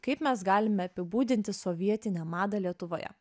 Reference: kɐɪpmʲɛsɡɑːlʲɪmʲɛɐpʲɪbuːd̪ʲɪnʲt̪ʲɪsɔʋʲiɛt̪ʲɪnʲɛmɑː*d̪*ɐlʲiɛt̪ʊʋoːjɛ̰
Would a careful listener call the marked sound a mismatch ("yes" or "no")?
no